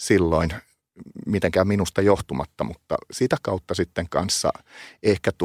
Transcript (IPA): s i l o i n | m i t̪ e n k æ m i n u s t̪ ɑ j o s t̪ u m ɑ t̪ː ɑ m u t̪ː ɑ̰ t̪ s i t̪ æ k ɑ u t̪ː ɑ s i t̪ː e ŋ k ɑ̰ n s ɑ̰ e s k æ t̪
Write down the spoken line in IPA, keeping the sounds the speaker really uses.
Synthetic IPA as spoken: s i lː o i n | m i t̪ e ŋ k æ m i n u s t̪ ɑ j o h t̪ u m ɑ t̪ː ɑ m u t̪ː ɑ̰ s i t̪ æ k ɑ u t̪ː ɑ s i t̪ː e ŋ k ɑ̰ n sː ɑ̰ e h k æ t̪